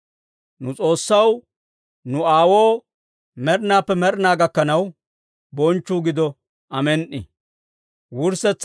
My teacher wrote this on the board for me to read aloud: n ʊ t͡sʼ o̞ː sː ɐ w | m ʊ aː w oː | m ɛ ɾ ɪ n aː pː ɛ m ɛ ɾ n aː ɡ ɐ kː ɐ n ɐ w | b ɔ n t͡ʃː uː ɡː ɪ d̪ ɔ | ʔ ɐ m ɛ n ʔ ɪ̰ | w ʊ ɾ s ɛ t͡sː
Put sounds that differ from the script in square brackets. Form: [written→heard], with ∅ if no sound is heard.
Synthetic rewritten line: n ʊ t͡sʼ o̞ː sː ɐ w | [m→n] ʊ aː w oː | m ɛ ɾ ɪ n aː pː ɛ m ɛ ɾ n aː ɡ ɐ kː ɐ n ɐ w | b ɔ n t͡ʃː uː [ɡː→ɡ] ɪ d̪ ɔ | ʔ ɐ m ɛ n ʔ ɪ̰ | w ʊ ɾ s ɛ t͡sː

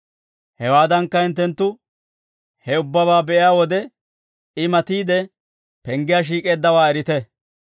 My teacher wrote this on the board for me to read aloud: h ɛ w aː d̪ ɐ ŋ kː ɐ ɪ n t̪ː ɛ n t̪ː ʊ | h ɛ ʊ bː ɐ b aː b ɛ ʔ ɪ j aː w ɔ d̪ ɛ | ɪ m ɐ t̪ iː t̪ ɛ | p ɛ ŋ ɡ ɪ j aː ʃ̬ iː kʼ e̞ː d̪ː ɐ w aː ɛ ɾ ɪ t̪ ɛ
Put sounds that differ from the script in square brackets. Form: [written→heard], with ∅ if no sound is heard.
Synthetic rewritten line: h ɛ w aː d̪ ɐ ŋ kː ɐ ɪ n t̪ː ɛ n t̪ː ʊ | h ɛ ʊ bː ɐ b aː b ɛ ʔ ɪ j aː w ɔ d̪ ɛ | ɪ m ɐ t̪ iː [t̪→d̪] ɛ | p ɛ ŋ ɡ ɪ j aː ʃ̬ iː kʼ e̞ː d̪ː ɐ w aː ɛ ɾ ɪ t̪ ɛ

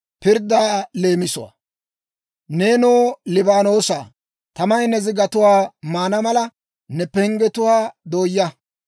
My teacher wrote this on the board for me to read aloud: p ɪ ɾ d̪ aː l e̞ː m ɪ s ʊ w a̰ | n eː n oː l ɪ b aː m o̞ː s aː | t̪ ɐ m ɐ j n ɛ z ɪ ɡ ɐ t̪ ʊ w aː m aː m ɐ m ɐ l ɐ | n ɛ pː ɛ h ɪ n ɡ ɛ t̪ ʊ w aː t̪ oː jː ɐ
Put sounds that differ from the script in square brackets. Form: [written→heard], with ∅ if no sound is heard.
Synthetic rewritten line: p ɪ ɾ d̪ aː l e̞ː m ɪ s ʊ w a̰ | n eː n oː l ɪ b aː [m→n] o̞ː s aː | t̪ ɐ m ɐ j n ɛ z ɪ ɡ ɐ t̪ ʊ w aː m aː [m→n] ɐ m ɐ l ɐ | n ɛ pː ɛ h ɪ [n→ŋ] ɡ ɛ t̪ ʊ w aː [t̪→d̪] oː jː ɐ

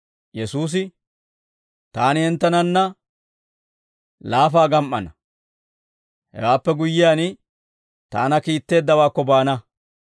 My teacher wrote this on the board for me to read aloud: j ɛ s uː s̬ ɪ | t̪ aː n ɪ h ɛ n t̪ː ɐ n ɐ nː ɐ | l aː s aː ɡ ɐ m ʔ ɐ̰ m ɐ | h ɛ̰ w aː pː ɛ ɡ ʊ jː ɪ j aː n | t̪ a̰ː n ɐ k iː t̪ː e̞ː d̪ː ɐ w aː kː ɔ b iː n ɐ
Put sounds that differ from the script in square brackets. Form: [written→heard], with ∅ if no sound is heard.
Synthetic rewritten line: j ɛ s uː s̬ ɪ | t̪ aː n ɪ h ɛ n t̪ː ɐ n ɐ nː ɐ | l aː [s→f] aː ɡ ɐ m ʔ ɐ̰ [m→n] ɐ | h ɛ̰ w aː pː ɛ ɡ ʊ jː ɪ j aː n | t̪ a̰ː n ɐ k iː t̪ː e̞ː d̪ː ɐ w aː kː ɔ b [iː→aː] n ɐ

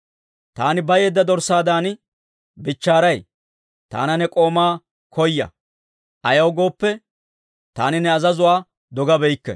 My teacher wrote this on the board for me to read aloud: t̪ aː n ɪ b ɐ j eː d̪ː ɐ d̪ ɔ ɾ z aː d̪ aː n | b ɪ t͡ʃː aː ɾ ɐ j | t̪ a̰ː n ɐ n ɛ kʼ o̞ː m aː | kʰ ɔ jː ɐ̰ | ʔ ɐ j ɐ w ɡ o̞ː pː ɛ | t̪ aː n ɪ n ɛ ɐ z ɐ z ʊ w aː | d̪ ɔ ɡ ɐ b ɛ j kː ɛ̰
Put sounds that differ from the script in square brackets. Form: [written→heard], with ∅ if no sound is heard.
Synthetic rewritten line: t̪ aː n ɪ b ɐ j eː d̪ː ɐ d̪ ɔ ɾ [z→s] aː d̪ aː n | b ɪ t͡ʃː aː ɾ ɐ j | t̪ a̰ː n ɐ n ɛ kʼ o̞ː m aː | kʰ ɔ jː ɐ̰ | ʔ ɐ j ɐ w ɡ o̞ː pː ɛ | t̪ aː n ɪ n ɛ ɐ z ɐ z ʊ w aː | d̪ ɔ ɡ ɐ b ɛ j kː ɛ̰

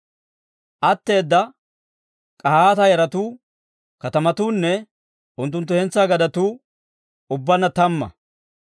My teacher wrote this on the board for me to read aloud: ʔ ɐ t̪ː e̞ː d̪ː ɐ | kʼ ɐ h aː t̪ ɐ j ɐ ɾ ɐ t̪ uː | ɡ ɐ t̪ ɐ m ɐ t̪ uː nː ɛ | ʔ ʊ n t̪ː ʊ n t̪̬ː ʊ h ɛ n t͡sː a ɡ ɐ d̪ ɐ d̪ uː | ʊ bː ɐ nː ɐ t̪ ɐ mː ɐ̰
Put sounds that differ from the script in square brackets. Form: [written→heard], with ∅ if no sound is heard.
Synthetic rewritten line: ʔ ɐ t̪ː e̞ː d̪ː ɐ | kʼ ɐ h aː t̪ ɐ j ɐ ɾ ɐ t̪ uː | [ɡ→k] ɐ t̪ ɐ m ɐ t̪ uː nː ɛ | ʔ ʊ n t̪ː ʊ n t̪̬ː ʊ h ɛ n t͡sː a ɡ ɐ d̪ ɐ [d̪→t̪] uː | ʊ bː ɐ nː ɐ t̪ ɐ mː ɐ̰

